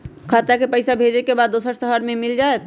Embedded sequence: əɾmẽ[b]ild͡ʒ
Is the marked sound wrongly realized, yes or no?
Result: yes